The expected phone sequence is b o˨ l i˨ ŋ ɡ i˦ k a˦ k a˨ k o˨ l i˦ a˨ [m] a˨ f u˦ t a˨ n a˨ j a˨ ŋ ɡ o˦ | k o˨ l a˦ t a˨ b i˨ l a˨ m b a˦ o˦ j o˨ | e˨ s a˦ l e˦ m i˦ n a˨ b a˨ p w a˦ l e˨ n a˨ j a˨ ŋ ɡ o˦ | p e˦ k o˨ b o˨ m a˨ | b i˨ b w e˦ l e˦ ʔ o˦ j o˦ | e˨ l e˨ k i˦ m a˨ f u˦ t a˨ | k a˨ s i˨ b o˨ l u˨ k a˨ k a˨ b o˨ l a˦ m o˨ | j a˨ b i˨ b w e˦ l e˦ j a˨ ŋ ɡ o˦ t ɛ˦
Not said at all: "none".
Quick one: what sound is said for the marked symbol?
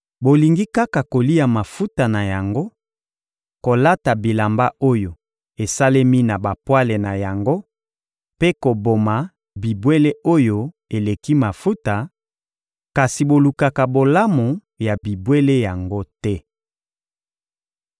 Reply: m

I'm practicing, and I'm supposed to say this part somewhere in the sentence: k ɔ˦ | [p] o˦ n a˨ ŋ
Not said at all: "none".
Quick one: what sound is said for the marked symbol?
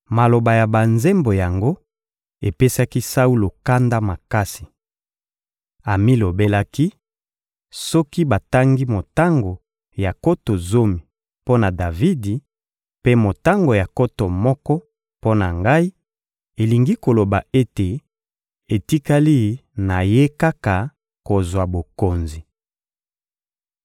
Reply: p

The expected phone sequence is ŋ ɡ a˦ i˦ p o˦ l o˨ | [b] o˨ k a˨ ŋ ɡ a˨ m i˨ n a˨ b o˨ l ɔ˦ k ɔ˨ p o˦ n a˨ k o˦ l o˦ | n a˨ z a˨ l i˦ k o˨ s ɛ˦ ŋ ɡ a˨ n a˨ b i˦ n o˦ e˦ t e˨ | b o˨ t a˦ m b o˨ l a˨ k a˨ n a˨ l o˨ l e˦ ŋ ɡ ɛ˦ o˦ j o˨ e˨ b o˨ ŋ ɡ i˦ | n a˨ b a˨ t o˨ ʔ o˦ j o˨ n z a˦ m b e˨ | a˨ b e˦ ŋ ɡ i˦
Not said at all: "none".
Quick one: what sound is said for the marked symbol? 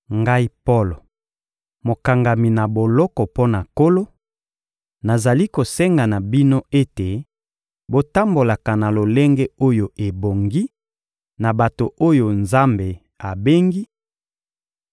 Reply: m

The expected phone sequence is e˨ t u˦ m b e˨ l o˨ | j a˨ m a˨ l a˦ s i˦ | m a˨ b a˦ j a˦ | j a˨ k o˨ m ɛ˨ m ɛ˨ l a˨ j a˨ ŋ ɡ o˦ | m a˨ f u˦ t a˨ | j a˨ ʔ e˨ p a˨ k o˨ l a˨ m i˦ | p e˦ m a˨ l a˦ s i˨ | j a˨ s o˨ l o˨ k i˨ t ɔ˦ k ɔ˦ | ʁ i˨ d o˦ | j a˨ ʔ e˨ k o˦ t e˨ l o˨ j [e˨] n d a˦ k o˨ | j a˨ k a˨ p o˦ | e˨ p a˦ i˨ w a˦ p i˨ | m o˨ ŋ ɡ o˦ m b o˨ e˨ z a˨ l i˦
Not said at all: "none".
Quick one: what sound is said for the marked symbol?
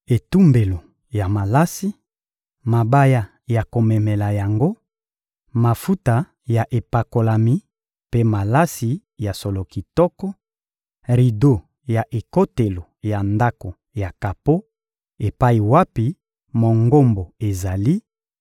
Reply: a˨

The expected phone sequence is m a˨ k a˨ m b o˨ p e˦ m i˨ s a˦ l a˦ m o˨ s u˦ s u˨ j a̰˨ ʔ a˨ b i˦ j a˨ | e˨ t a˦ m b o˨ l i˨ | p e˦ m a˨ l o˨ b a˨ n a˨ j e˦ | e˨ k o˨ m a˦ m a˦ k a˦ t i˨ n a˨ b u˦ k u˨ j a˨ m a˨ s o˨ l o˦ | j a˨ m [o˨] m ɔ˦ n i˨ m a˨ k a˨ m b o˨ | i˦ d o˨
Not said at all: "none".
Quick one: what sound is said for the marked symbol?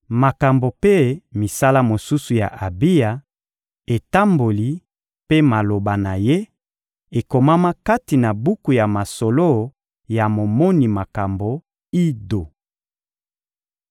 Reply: o˨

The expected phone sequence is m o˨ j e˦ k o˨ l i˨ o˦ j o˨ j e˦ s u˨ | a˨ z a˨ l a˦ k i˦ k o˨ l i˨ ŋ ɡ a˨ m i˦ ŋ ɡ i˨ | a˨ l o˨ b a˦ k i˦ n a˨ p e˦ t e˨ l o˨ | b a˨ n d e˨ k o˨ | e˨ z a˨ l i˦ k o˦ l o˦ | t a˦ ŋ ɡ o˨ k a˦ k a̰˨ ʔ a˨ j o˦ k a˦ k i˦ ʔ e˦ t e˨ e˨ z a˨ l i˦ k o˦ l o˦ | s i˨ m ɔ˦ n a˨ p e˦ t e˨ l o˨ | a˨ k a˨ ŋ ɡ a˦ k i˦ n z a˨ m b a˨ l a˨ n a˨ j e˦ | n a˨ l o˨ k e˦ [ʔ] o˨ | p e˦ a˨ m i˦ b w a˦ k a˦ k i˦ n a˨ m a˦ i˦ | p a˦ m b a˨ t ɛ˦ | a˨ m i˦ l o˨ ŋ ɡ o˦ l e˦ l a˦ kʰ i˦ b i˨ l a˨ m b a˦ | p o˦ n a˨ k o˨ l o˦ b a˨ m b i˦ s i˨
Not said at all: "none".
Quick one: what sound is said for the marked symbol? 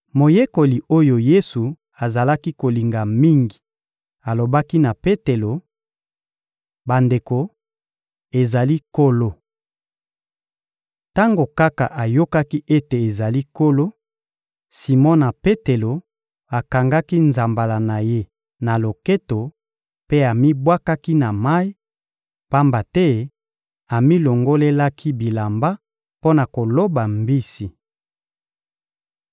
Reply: t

